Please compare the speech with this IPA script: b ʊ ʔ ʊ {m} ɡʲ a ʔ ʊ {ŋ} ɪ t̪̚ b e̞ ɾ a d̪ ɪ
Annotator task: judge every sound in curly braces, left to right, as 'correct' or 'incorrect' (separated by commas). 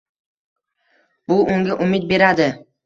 incorrect, incorrect